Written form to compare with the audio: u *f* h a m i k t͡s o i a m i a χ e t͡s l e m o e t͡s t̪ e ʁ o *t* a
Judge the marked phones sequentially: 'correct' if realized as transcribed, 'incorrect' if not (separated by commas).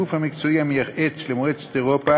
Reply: correct, incorrect